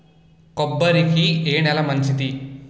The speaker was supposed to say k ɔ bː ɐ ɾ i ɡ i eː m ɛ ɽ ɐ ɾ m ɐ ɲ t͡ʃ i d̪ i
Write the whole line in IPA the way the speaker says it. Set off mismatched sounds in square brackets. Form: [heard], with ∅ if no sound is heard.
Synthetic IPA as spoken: k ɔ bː ɐ ɾ i [k] i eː [n] ɛ [l] ɐ [∅] m ɐ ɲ t͡ʃ i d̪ i